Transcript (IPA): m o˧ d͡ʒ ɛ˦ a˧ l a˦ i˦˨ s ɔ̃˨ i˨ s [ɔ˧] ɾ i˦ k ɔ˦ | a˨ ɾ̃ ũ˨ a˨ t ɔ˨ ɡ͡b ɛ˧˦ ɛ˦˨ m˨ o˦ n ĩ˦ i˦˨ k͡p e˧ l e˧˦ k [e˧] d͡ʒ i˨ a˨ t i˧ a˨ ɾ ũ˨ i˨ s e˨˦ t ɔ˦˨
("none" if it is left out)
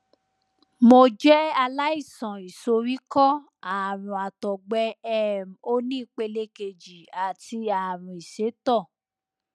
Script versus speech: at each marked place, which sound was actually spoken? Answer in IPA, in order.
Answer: o˧, e˧

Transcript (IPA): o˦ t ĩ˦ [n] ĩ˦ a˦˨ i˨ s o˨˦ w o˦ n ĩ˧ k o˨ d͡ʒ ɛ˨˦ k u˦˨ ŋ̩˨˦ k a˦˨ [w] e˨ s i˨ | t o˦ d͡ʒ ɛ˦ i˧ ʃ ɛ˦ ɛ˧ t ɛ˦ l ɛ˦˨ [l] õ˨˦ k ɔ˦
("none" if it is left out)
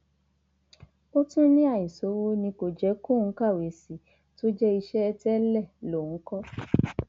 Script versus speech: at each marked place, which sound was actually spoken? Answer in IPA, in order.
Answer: n, w, l

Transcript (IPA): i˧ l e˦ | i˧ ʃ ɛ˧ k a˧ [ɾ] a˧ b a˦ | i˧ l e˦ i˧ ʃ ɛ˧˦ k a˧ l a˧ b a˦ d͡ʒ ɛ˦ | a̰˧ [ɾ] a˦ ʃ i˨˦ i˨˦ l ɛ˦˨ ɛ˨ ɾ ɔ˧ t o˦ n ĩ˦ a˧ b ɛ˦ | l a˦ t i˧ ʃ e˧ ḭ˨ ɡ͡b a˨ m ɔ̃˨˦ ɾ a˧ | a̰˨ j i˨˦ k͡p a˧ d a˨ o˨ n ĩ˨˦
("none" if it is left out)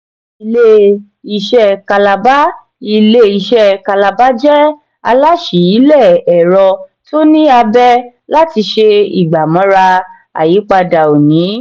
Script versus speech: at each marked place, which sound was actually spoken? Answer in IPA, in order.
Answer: l, l

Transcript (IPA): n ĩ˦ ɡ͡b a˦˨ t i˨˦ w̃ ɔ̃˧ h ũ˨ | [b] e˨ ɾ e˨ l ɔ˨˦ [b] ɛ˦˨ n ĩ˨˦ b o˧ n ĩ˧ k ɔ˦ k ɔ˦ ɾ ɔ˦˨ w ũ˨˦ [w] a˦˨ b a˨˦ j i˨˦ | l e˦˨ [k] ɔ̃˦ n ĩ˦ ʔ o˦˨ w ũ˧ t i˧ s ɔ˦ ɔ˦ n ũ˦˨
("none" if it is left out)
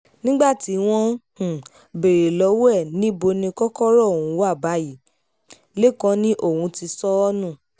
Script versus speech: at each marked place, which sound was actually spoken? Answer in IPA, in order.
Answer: b, w, w, k

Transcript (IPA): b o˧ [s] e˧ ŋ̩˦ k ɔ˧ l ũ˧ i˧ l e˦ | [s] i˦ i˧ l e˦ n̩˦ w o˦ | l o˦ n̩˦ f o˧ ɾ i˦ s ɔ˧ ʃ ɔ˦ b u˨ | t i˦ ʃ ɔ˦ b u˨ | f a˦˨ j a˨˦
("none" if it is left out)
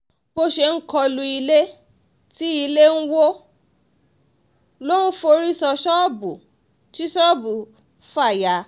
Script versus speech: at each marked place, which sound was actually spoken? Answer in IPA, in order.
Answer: ʃ, t

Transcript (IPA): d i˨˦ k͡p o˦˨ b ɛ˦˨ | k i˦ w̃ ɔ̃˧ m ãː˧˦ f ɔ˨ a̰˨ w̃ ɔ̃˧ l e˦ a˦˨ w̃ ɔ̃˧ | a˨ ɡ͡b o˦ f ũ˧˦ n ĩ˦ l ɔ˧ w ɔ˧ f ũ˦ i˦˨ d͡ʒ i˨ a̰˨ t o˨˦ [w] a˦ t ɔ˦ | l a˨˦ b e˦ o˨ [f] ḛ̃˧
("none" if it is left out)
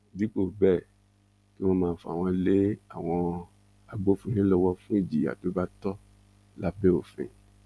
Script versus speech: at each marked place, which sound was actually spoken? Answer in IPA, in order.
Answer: b, f

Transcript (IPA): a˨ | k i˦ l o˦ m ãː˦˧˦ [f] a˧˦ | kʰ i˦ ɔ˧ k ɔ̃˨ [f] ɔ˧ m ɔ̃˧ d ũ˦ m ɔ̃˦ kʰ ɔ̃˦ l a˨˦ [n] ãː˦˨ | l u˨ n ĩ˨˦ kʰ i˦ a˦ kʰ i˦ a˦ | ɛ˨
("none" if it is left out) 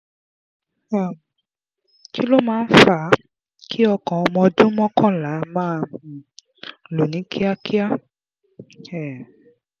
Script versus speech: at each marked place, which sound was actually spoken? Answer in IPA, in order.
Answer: f, none, m

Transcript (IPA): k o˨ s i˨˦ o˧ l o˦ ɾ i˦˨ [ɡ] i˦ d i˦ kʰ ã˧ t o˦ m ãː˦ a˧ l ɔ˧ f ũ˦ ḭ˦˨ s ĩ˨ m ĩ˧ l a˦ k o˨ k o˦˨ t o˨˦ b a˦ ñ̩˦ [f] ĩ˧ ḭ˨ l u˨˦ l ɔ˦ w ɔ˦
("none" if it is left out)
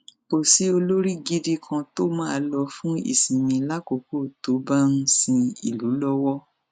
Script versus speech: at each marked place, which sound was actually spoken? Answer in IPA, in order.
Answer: ɡ, s

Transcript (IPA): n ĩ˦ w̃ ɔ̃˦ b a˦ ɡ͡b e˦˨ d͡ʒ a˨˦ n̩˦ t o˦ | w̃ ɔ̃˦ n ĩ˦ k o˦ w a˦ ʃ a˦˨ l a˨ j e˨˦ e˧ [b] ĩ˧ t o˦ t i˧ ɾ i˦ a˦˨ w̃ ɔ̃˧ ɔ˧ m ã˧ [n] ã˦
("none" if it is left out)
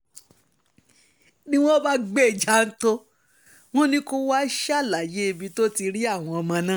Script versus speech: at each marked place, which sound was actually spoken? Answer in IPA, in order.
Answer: b, n

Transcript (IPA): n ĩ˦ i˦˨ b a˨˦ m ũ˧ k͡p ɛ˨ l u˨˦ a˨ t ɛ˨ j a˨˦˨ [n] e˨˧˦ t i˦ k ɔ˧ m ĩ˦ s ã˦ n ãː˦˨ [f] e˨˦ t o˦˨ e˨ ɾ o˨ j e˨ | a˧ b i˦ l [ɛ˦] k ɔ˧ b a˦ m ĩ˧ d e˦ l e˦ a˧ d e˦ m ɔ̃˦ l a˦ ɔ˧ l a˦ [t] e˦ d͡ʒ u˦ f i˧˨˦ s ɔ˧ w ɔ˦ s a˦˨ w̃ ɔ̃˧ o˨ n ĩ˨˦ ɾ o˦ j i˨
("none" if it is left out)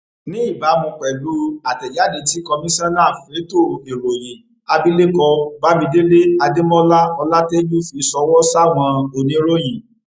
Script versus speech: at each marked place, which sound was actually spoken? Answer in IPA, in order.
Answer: d, f, e˦, t

